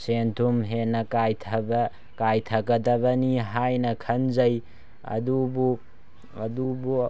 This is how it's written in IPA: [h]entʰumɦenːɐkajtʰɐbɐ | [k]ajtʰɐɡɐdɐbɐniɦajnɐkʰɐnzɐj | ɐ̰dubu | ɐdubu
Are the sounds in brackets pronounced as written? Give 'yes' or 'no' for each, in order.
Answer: no, yes

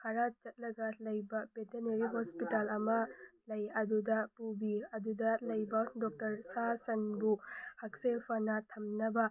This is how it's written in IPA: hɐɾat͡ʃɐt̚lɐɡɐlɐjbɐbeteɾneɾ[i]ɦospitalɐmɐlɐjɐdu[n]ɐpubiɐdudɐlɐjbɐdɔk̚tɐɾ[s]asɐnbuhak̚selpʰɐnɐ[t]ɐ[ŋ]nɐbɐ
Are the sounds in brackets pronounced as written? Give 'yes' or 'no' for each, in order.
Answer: yes, no, yes, no, no

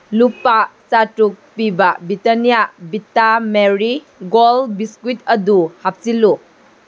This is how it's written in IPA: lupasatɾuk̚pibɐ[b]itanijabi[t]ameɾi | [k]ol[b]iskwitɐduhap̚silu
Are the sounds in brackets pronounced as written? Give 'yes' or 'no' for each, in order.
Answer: yes, yes, no, yes

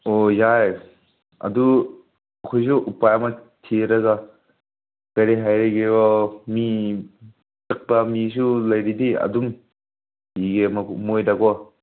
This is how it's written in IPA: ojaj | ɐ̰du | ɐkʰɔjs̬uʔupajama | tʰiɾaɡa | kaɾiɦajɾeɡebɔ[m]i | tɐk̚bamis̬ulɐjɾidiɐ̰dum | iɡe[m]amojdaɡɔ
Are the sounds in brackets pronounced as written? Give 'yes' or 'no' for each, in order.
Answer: yes, yes

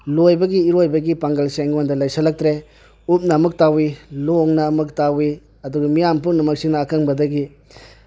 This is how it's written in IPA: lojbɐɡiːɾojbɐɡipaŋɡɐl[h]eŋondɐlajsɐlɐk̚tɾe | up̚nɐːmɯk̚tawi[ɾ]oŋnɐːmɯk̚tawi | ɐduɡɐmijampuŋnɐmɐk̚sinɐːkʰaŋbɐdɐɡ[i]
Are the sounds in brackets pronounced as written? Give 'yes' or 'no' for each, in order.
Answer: no, no, yes

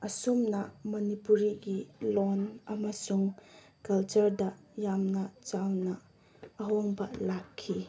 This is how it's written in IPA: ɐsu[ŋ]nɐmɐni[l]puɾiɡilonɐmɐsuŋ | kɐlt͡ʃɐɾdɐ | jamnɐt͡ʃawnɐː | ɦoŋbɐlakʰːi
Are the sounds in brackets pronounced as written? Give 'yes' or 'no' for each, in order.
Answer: no, no

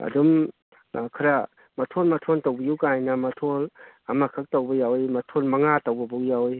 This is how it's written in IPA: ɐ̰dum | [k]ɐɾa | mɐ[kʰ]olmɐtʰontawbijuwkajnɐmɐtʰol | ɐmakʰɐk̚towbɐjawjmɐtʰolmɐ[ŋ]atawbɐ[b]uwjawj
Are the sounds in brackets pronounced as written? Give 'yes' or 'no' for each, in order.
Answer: no, no, yes, yes

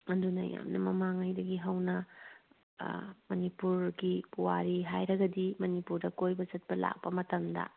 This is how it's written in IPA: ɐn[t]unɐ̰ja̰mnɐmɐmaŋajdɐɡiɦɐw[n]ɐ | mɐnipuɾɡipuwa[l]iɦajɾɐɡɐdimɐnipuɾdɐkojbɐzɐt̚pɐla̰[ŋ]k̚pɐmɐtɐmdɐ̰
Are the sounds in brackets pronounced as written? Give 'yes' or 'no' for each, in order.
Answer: no, yes, no, no

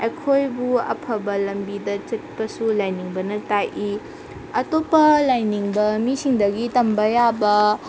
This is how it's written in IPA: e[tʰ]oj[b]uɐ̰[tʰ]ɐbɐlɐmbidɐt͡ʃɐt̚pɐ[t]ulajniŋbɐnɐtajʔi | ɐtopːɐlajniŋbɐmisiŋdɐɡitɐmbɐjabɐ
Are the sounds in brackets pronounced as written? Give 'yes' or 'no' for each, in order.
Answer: no, yes, no, no

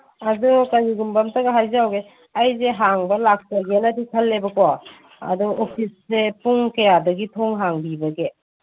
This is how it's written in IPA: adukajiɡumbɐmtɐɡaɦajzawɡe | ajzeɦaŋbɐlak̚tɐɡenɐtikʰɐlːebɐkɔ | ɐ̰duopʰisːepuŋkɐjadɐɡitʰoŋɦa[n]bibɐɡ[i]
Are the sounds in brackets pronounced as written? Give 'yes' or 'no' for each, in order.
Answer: no, no

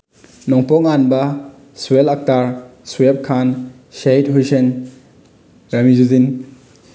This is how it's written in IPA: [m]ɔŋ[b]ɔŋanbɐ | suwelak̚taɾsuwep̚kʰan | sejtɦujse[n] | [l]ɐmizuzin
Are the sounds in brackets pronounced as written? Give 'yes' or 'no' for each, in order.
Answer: no, no, yes, no

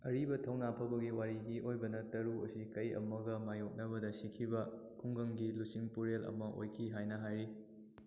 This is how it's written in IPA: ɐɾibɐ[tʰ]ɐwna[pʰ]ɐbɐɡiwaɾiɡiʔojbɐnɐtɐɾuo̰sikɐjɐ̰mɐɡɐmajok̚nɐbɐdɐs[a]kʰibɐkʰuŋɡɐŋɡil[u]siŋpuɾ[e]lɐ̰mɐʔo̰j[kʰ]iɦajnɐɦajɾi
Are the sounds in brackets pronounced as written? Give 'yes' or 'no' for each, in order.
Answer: yes, yes, no, yes, yes, yes

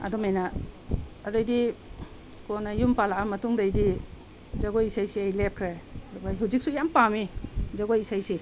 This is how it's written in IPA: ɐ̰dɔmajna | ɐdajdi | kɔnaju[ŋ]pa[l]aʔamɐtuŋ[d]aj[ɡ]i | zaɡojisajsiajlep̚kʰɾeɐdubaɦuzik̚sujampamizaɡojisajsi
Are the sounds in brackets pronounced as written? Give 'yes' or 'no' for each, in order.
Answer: no, yes, yes, no

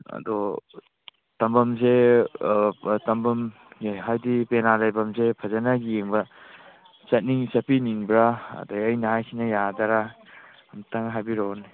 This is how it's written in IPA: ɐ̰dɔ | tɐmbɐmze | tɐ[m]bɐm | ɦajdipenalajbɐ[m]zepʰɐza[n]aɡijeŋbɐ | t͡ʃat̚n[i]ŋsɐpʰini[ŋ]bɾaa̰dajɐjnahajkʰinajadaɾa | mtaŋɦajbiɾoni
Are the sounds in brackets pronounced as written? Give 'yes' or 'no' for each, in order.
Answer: yes, yes, yes, yes, yes

